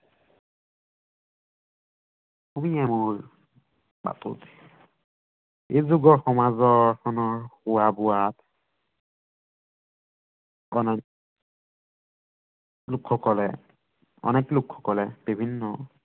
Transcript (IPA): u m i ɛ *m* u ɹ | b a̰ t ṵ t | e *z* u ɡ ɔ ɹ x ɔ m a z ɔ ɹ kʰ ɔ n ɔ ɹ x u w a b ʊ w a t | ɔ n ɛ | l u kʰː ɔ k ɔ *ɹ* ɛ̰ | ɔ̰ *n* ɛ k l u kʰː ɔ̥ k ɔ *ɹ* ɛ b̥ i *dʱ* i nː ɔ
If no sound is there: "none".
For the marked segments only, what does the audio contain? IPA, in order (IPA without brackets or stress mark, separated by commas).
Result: m, z, l, n, l, bʱ